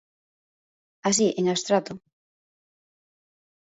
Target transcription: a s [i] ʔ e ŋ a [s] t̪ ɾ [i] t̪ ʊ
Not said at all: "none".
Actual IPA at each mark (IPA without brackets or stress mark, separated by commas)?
i, s, a